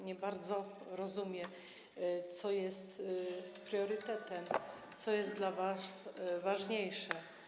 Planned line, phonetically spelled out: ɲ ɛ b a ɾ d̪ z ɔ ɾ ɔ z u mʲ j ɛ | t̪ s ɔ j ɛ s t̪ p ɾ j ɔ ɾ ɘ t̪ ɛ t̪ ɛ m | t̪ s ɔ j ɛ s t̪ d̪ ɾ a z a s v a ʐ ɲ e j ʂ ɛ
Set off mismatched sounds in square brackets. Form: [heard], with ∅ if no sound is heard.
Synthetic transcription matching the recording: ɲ ɛ b a ɾ d̪ z ɔ ɾ ɔ z u mʲ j ɛ | t̪ s ɔ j ɛ s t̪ p ɾ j ɔ ɾ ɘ t̪ ɛ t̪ ɛ m | t̪ s ɔ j ɛ s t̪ d̪ [l] a [v] a s v a ʐ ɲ e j ʂ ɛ